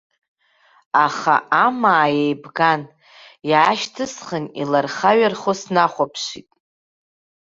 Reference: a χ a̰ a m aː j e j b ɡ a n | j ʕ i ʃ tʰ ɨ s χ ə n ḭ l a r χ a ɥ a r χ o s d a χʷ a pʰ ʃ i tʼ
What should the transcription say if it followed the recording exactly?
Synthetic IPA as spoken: a χ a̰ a m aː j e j b ɡ a n | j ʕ a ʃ tʰ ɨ s χ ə n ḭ l a r χ a ɥ a r χ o s n a χʷ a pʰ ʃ i tʼ